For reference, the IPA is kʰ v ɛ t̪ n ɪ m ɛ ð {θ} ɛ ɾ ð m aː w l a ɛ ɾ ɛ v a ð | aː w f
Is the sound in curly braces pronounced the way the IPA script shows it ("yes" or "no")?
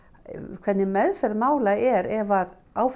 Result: no